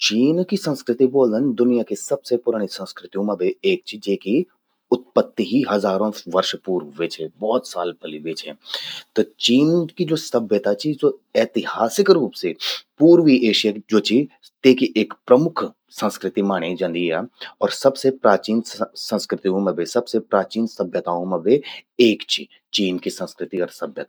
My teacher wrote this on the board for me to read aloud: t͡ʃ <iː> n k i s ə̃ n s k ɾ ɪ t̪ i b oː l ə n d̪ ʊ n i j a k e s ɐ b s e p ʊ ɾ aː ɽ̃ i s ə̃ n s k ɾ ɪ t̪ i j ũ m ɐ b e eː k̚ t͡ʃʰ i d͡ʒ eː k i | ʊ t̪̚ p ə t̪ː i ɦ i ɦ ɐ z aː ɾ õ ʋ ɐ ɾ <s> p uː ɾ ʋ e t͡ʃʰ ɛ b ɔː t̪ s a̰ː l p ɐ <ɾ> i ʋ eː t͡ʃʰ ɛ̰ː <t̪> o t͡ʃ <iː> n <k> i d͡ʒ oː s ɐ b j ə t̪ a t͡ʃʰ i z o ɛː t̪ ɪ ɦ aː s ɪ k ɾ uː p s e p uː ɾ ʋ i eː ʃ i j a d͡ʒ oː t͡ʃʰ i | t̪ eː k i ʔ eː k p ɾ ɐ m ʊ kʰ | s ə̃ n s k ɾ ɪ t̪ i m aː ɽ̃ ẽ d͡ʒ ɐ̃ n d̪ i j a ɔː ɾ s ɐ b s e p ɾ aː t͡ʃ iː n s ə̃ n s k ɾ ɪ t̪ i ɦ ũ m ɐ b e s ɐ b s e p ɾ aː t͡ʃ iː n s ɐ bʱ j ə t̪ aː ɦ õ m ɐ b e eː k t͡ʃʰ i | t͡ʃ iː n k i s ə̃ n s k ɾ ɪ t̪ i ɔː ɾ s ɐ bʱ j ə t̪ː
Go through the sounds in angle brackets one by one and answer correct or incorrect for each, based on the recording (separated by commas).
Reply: correct, incorrect, incorrect, correct, correct, correct